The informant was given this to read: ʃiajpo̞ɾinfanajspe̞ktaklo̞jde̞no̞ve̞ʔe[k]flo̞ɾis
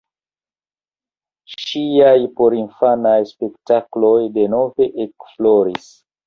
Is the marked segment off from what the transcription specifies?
no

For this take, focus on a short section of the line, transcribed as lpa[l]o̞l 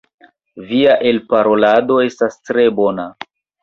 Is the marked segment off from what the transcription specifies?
yes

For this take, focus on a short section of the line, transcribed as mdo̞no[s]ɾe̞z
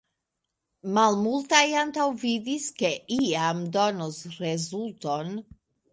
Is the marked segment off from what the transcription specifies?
no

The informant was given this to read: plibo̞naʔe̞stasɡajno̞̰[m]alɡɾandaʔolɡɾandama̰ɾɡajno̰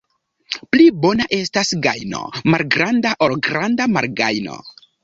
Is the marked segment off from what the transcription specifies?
no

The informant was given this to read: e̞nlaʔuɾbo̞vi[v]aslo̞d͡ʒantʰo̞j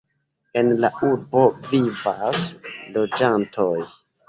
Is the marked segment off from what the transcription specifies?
no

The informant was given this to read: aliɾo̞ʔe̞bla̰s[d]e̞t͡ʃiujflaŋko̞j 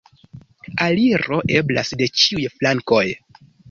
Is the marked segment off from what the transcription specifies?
no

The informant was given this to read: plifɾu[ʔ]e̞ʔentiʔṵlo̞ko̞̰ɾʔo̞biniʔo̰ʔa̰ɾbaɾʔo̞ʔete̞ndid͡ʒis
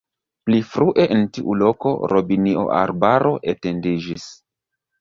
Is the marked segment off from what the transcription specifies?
no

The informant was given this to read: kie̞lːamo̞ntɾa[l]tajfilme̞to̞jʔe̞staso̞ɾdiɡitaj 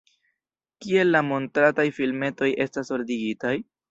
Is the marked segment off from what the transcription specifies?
yes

